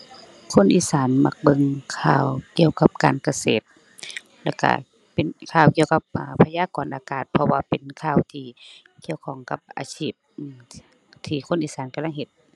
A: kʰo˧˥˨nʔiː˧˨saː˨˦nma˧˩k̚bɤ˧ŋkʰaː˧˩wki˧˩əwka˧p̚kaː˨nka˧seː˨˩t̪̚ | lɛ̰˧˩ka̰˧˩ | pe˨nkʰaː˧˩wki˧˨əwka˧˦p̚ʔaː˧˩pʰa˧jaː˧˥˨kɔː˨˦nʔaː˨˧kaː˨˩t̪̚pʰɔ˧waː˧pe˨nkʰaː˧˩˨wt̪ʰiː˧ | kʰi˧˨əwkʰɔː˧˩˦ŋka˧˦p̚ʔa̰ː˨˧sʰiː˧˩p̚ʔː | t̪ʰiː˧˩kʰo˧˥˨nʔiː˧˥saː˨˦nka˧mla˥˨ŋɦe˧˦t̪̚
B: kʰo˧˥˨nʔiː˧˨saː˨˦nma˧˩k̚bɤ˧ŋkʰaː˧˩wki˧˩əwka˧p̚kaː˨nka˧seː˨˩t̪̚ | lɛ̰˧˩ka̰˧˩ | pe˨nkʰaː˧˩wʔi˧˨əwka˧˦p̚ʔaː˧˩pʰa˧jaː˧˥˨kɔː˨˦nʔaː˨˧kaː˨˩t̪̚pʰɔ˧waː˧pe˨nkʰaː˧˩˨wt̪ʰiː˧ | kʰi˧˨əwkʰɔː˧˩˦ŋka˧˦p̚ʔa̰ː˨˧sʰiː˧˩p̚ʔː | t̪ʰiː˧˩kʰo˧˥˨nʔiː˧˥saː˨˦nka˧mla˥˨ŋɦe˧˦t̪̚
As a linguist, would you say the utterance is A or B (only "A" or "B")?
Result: A